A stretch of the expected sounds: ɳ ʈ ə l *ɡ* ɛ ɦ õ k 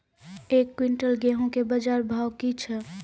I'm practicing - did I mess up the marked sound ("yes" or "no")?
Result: no